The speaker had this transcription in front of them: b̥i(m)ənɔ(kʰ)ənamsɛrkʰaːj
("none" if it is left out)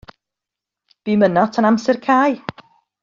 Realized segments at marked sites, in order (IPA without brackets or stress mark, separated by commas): m, tʰ